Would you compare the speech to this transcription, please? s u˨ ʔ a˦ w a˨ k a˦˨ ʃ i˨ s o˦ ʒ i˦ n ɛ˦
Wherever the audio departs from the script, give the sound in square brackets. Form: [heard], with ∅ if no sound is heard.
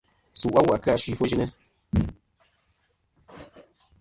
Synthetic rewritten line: s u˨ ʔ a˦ w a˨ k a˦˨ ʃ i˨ [f] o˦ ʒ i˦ n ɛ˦